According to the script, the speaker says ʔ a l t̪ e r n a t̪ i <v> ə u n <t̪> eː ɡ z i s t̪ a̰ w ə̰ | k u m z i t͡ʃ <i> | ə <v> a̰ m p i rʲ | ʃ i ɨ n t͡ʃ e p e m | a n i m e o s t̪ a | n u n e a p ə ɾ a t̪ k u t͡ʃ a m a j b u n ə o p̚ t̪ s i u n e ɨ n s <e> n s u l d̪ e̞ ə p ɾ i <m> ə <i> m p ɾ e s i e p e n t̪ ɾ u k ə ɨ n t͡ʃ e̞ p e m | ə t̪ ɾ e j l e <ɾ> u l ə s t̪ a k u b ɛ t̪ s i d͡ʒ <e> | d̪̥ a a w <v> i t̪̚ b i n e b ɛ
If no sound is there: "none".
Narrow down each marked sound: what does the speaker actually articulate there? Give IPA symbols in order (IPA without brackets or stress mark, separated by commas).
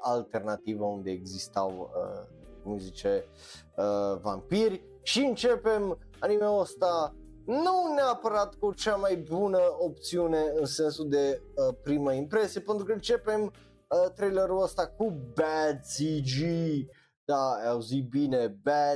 v, d̪, e, v, e, m, i, ɾ, i, z